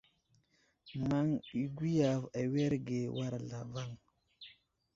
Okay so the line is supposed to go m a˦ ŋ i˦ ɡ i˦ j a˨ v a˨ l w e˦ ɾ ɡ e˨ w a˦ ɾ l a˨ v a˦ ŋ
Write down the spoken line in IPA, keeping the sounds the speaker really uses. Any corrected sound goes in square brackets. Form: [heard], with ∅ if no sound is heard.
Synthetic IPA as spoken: m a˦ ŋ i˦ ɡ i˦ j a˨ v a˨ [∅] w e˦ ɾ ɡ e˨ w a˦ ɾ l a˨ v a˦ ŋ